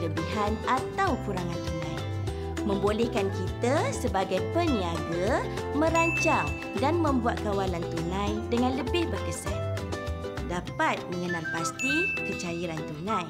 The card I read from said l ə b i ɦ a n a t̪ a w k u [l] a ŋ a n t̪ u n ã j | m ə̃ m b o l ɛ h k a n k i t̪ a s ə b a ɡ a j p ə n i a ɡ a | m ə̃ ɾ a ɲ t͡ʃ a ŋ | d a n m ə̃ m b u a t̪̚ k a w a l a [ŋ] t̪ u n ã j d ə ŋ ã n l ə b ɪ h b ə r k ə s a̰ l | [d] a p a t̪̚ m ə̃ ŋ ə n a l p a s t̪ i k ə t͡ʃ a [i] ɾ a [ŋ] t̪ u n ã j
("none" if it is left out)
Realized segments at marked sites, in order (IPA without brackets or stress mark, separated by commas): ɾ, n, d, i, n